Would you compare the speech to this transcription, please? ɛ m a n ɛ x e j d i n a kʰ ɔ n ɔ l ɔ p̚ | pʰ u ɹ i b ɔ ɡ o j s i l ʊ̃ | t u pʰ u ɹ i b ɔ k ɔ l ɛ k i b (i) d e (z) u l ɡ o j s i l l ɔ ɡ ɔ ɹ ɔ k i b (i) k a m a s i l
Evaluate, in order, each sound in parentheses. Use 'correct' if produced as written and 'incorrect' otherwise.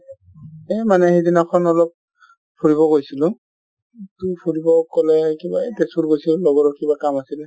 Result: incorrect: a, incorrect: s, incorrect: a

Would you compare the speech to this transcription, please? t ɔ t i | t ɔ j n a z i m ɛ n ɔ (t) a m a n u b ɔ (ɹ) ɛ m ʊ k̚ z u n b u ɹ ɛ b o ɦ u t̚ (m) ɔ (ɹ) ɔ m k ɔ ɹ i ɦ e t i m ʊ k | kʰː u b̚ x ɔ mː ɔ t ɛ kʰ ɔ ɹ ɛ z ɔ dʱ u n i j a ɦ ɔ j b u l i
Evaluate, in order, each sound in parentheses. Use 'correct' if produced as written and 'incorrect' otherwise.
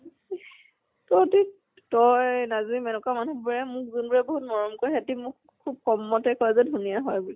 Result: incorrect: k, correct, correct, correct

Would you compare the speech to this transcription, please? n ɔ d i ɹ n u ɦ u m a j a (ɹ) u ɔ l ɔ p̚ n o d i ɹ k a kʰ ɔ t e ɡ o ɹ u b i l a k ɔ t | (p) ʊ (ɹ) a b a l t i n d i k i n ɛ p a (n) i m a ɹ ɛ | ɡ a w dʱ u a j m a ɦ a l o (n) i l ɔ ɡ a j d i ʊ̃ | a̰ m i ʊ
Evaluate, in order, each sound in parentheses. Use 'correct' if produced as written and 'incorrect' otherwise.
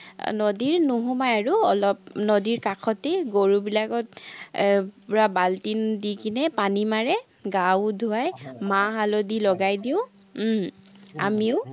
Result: correct, correct, correct, correct, incorrect: d

